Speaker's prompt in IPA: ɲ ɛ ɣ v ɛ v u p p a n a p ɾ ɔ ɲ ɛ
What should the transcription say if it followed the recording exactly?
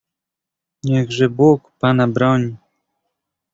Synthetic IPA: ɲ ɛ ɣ ʐ ɛ b u k p a n a b ɾ ɔ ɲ i

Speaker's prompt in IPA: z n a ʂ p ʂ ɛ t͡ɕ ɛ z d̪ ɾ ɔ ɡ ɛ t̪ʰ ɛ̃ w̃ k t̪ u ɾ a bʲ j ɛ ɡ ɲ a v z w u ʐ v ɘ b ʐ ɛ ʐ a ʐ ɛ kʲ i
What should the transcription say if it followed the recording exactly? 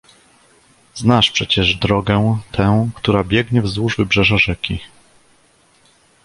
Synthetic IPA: z n a ʂ p ʂ ɛ t͡ɕ ɛ ʐ d̪ ɾ ɔ ɡ ɛ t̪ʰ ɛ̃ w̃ k t̪ u ɾ a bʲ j ɛ ɡ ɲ ɛ v z w u ʐ v ɘ b ʐ ɛ ʐ a ʐ ɛ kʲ i

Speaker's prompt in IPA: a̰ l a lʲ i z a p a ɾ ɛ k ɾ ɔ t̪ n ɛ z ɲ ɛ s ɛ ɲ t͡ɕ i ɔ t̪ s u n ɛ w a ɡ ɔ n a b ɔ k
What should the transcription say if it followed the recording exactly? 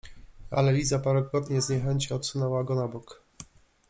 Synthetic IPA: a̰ l ɛ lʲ i z a p a ɾ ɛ k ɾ ɔ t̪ ɲ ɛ z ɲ ɛ x ɛ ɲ t͡ɕ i ɔ t̪ s u n ɛ w a ɡ ɔ n a b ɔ k

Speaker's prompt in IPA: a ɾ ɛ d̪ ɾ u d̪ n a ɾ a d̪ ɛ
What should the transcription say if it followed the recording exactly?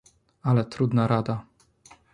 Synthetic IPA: a l ɛ t̪ ɾ u d̪ n a ɾ a d̪ a

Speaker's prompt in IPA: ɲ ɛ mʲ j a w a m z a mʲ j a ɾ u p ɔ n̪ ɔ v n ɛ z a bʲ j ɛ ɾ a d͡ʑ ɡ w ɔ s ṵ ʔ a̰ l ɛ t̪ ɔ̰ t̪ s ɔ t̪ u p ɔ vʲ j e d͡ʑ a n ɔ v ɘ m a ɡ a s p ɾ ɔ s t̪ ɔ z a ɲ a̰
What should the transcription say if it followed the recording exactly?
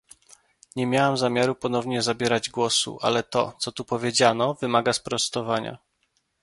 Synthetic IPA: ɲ ɛ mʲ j a w a m z a mʲ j a ɾ u p ɔ n̪ ɔ v ɲ ɛ z a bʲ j ɛ ɾ a d͡ʑ ɡ w ɔ s ṵ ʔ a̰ l ɛ t̪ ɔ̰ t̪ s ɔ t̪ u p ɔ vʲ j e d͡ʑ a n ɔ v ɘ m a ɡ a s p ɾ ɔ s t̪ ɔ v a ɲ a̰

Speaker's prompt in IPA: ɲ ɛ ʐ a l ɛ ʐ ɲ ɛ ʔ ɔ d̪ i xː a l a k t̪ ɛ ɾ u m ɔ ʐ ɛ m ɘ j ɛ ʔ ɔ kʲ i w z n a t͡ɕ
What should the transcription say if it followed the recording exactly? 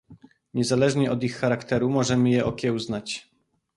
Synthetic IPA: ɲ ɛ z a l ɛ ʐ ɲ ɛ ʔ ɔ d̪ i xː a ɾ a k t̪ ɛ ɾ u m ɔ ʐ ɛ m ɘ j ɛ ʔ ɔ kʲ ɛ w z n a t͡ɕ

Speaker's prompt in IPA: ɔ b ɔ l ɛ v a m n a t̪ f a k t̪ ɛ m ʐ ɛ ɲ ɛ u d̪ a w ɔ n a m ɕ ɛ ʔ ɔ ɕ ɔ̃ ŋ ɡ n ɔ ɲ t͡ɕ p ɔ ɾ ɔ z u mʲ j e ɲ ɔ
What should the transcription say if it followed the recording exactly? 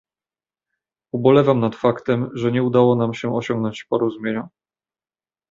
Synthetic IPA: u b ɔ l ɛ v a m n a t̪ f a k t̪ ɛ m ʐ ɛ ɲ ɛ u d̪ a w ɔ n a m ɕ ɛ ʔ ɔ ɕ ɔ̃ ŋ ɡ n ɔ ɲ t͡ɕ p ɔ ɾ ɔ z u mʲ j e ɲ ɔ

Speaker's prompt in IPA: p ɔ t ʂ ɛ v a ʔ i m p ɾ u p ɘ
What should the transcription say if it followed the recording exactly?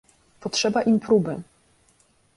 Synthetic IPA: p ɔ t ʂ ɛ b a ʔ i m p ɾ u b ɘ

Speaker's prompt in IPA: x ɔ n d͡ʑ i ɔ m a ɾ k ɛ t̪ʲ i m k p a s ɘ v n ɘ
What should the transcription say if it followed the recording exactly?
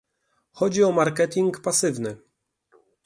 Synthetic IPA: x ɔ d͡ʑ i ɔ m a ɾ k ɛ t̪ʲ i ŋ k p a s ɘ v n ɘ

